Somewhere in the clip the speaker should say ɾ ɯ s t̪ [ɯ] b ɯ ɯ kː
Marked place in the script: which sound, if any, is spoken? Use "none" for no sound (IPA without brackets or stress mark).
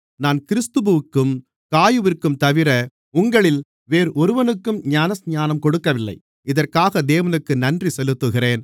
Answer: ɯ